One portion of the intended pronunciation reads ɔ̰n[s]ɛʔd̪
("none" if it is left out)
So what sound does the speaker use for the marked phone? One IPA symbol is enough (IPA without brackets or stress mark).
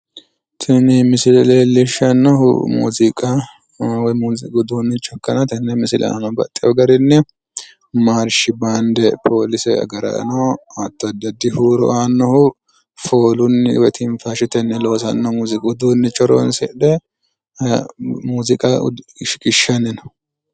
s